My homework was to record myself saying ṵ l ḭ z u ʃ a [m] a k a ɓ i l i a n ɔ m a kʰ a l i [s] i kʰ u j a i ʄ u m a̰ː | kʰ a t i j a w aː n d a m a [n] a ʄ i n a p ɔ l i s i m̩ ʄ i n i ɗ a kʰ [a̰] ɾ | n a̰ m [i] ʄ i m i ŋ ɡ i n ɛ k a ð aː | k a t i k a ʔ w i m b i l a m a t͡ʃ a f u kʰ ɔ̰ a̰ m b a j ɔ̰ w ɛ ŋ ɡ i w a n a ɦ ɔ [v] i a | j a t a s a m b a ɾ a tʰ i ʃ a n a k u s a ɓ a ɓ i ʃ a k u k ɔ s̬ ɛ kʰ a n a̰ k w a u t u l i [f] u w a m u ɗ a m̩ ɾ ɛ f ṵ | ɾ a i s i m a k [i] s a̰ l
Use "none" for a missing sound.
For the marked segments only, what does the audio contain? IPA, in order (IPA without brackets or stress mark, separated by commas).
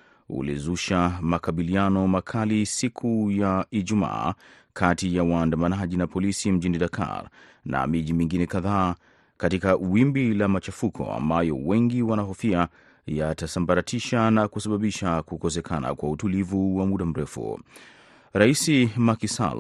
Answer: m, s, n, a̰, i, f, v, i